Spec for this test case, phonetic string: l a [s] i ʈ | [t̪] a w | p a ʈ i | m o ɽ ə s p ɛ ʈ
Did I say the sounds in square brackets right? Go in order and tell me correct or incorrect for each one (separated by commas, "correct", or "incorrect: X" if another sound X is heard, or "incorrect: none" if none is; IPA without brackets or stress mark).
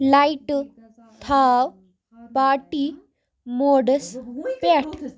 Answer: incorrect: none, incorrect: t̪ʰ